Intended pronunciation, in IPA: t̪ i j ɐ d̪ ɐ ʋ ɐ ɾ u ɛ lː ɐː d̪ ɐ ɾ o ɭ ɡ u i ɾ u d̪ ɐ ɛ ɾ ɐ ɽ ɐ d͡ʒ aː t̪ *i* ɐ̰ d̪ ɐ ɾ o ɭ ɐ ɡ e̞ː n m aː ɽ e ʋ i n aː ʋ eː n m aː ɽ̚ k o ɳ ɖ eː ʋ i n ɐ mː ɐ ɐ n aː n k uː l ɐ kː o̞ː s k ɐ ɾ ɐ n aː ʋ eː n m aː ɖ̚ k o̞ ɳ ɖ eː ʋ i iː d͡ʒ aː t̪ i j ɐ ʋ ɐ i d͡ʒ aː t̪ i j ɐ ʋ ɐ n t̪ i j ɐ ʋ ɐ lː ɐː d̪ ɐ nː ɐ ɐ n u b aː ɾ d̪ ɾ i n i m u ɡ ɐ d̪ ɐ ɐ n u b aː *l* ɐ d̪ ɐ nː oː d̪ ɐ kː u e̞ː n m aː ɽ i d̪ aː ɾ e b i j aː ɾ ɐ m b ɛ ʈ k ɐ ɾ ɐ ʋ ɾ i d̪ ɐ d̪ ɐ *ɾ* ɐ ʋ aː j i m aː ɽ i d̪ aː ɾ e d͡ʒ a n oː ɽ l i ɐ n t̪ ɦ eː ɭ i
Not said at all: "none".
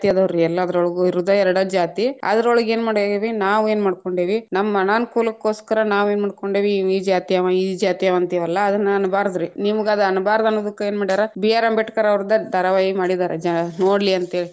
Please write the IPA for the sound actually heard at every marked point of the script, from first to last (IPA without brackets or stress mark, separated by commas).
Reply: i, ɾ, ɾ